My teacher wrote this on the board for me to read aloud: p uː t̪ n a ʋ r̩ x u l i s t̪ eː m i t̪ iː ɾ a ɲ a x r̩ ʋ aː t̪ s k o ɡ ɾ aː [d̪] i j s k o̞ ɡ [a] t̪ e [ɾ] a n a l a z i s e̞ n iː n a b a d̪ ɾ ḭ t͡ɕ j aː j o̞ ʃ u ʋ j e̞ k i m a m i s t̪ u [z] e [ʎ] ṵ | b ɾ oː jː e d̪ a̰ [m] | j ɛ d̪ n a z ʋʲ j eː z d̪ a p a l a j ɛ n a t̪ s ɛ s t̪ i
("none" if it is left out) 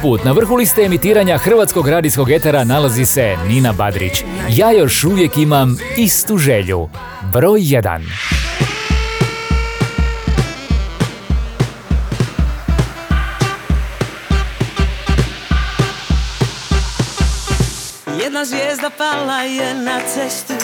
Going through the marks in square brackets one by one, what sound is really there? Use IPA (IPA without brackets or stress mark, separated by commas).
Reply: d̪, e, ɾ, ʒ, ʎ, n